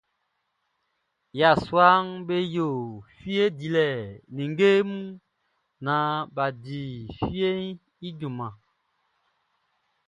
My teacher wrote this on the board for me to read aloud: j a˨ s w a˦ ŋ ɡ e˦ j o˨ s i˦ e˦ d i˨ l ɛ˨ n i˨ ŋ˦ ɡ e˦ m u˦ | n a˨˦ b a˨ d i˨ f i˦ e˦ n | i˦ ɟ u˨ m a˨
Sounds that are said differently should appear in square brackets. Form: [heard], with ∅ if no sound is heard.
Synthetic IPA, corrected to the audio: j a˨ s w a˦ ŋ [b] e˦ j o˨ [f] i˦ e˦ d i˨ l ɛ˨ n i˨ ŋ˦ ɡ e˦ m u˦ | n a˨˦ b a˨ d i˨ f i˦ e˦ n | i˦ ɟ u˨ m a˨

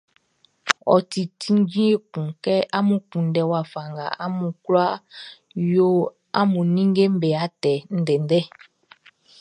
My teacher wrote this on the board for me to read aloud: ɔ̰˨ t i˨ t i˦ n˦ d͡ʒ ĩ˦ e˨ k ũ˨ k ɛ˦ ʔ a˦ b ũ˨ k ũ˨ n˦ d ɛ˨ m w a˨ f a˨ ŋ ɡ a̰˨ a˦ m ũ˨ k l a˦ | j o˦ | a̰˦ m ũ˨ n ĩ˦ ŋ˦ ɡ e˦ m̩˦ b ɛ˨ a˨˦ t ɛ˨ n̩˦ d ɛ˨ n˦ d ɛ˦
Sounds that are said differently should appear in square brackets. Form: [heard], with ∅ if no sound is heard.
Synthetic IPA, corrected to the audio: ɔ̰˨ t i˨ t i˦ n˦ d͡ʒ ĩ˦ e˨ k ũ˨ k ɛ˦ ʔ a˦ [m] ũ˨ k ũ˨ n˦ d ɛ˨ [∅] w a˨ f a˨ ŋ ɡ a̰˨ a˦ m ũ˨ k l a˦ | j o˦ | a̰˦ m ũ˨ n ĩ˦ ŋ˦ ɡ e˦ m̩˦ b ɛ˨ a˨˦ t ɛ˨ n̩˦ d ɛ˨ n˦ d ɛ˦

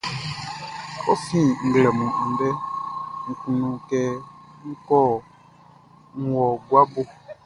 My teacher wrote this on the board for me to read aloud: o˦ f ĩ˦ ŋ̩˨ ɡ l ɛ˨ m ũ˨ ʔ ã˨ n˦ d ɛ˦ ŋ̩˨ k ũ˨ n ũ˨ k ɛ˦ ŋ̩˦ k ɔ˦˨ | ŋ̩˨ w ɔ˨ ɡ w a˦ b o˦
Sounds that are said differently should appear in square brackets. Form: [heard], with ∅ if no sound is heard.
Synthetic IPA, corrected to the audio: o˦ f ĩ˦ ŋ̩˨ ɡ l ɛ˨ m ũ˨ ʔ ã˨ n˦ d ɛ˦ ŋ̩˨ k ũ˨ n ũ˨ k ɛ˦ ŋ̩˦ k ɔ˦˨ | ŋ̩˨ w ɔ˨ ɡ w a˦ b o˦

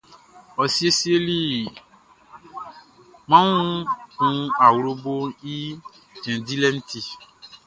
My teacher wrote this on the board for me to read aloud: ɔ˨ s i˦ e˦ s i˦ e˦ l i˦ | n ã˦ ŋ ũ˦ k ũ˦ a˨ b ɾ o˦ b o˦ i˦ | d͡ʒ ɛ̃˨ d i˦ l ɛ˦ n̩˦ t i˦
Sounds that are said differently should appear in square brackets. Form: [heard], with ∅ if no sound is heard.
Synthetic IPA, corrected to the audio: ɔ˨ s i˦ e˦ s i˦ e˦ l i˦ | [m] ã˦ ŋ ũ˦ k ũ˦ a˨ [w] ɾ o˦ b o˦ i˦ | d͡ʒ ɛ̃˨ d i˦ l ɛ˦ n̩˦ t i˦

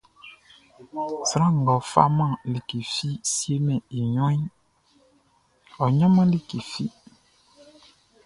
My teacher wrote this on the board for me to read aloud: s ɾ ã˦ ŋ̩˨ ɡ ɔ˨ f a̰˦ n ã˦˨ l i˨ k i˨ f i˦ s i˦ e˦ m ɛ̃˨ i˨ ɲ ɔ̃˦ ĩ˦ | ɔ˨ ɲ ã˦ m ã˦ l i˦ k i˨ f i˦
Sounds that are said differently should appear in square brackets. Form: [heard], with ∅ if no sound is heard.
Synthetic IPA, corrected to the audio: s ɾ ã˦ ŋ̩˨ ɡ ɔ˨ f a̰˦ [m] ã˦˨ l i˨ k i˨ f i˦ s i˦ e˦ m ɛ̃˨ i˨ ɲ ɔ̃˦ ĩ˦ | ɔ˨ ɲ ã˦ m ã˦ l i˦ k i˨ f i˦

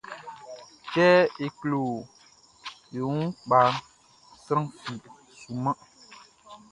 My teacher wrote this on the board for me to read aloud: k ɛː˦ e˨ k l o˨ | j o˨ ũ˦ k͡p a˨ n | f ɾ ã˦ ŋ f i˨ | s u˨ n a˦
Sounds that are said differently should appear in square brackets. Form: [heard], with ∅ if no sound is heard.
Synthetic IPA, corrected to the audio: k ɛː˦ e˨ k l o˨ | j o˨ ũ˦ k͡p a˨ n | [s] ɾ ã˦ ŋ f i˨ | s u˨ [m] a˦

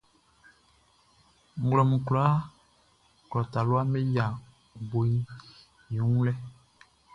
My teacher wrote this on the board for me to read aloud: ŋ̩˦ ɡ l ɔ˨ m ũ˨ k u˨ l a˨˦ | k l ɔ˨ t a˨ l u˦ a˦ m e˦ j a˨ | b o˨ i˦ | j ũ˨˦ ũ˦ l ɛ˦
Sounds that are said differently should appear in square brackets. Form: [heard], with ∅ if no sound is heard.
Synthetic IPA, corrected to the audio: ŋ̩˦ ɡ l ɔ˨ m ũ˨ k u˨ l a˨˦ | k l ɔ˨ t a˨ l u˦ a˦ m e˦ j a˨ | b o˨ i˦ | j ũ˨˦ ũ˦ l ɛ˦

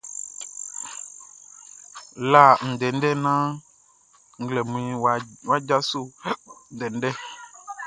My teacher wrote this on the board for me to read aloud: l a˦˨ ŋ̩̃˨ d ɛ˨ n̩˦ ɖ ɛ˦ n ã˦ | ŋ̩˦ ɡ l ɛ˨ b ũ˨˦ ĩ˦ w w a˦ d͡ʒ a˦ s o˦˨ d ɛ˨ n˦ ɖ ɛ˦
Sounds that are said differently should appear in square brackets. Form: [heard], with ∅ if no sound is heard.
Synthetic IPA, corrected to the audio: l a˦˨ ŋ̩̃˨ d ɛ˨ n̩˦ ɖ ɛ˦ n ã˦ | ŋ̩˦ ɡ l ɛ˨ [m] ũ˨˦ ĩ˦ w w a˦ d͡ʒ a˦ s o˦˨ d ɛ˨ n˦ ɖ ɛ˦

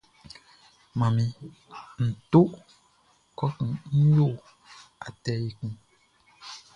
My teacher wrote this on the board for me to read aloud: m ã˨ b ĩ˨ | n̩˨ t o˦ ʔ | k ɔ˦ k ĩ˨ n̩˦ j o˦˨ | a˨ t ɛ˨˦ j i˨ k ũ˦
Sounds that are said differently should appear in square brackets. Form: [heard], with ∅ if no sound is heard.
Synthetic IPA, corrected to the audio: m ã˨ [m] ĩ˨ | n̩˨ t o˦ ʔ | k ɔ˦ k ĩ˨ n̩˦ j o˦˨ | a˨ t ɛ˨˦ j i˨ k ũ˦

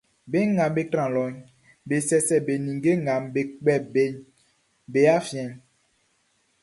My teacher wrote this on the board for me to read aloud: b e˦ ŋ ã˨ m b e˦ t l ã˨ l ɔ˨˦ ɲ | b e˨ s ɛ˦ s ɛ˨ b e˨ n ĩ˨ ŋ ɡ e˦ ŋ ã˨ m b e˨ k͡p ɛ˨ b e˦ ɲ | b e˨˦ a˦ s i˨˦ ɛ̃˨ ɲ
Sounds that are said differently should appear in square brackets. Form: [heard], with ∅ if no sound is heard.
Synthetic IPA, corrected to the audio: b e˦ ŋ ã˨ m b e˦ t [ɾ] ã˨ l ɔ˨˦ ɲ | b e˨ s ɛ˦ s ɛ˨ b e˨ n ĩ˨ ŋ ɡ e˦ ŋ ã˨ m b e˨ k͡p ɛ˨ b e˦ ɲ | b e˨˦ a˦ [f] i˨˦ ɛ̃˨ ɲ

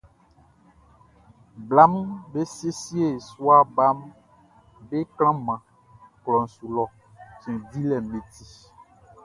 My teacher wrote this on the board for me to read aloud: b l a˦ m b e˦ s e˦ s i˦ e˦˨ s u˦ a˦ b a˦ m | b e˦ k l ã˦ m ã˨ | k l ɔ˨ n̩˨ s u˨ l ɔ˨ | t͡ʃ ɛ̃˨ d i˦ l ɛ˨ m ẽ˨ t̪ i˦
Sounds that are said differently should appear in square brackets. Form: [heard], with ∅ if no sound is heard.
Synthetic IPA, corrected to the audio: b l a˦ m b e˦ s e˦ s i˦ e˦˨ s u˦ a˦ b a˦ m | b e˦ k l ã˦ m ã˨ | k l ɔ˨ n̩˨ s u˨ l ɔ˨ | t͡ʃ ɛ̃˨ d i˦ l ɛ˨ m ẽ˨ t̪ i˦

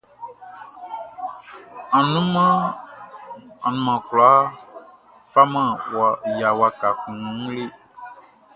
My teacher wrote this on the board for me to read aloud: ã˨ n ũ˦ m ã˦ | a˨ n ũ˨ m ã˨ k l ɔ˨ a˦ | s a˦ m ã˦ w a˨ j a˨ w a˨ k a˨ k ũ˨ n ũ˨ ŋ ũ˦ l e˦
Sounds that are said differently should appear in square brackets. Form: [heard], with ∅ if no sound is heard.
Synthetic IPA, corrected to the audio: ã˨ n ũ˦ m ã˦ | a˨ n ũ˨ m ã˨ k l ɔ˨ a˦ | [f] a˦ m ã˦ w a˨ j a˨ w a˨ k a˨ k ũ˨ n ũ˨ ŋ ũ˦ l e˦

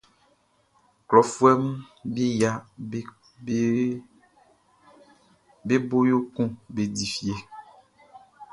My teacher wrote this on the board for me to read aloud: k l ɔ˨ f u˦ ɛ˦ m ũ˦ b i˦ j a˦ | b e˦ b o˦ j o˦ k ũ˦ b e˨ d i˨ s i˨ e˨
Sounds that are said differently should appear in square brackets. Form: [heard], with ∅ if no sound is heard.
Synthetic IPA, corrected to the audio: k l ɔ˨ f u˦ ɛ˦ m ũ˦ b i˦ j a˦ | b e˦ b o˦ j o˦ k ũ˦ b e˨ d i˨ [f] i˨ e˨

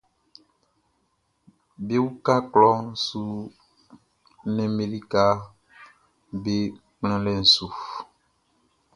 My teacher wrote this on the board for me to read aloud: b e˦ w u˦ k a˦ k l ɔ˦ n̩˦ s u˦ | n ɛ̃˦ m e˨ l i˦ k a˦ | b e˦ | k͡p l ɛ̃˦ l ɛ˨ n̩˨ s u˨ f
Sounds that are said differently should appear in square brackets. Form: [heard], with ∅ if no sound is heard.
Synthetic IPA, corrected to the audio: b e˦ w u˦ k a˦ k l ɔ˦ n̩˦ s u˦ | n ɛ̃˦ m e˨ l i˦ k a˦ | b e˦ | k͡p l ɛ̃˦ l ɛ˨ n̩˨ s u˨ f

